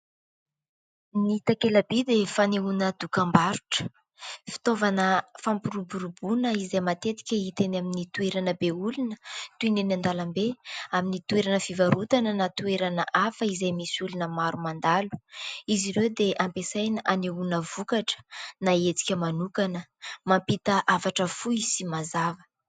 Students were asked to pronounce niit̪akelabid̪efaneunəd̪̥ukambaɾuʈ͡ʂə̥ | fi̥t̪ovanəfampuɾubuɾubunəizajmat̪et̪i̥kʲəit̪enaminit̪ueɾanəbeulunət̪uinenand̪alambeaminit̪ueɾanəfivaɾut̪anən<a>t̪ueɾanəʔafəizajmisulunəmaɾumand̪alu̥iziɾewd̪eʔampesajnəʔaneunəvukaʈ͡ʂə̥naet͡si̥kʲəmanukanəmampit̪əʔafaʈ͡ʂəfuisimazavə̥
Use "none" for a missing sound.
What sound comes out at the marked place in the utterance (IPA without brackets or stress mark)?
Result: a